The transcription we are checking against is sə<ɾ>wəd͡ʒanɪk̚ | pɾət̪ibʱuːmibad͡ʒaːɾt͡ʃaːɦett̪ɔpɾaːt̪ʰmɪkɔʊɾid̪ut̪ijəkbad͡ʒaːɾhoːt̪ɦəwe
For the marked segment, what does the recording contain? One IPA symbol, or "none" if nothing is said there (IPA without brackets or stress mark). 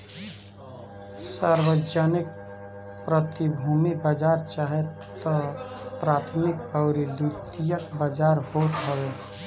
ɾ